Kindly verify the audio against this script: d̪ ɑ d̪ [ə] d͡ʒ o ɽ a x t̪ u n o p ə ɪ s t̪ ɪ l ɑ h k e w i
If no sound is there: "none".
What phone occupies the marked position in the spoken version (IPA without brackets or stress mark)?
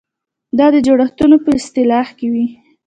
ə